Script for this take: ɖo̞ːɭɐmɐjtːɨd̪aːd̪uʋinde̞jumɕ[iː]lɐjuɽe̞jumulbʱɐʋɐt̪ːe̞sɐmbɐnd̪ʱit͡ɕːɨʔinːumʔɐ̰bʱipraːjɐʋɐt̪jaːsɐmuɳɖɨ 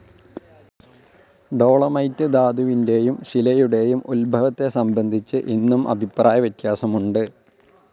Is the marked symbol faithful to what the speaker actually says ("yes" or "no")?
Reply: no